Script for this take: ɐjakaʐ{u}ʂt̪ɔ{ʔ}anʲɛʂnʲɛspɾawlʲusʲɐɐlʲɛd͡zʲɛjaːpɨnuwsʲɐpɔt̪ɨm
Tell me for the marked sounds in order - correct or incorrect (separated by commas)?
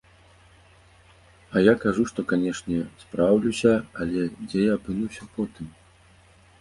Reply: correct, incorrect